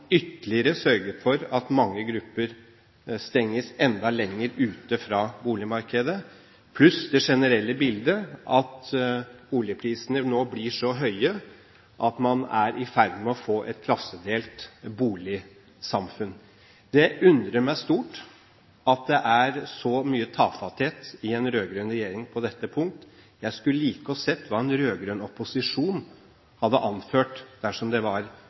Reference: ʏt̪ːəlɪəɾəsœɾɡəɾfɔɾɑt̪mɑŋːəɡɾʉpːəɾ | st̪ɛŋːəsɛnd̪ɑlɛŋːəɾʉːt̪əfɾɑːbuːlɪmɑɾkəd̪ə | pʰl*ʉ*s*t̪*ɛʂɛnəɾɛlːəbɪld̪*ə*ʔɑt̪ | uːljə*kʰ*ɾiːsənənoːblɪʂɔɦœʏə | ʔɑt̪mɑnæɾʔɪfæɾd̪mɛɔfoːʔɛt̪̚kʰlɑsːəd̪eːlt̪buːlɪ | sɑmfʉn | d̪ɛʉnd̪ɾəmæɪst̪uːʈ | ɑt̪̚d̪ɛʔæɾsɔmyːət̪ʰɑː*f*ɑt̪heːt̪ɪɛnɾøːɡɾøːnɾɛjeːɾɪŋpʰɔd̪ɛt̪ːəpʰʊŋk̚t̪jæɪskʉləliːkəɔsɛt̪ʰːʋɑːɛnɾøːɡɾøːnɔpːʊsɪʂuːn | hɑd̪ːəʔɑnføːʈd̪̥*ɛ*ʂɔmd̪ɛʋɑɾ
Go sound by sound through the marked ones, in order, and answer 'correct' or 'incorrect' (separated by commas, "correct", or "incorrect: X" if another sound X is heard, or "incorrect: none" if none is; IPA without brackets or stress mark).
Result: correct, incorrect: d̪, correct, incorrect: pʰ, correct, incorrect: æ